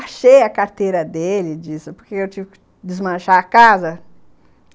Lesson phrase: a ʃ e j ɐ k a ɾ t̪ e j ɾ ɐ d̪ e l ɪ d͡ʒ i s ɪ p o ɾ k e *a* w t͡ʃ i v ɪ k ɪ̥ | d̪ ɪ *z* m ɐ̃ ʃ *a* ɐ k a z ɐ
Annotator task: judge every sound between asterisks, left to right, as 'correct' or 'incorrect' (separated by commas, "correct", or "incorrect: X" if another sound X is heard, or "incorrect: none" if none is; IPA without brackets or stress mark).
incorrect: e, correct, correct